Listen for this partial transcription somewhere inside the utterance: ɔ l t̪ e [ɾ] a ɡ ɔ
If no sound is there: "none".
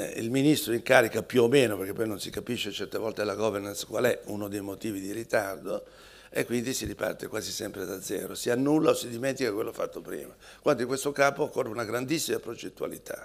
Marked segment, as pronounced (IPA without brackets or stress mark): l